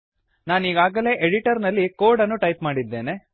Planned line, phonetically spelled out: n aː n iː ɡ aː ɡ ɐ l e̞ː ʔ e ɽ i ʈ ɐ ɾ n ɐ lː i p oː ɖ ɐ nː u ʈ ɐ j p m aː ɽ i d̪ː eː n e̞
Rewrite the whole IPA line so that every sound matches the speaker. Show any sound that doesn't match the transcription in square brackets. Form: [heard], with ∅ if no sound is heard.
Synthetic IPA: n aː n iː ɡ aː ɡ ɐ l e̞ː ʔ e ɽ i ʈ ɐ ɾ n ɐ lː i [k] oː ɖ ɐ nː u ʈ ɐ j p m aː ɽ i d̪ː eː n e̞